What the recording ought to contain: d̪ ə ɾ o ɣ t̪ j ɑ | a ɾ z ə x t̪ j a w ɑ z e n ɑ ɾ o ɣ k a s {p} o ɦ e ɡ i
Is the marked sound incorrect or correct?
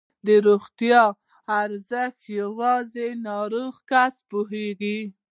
correct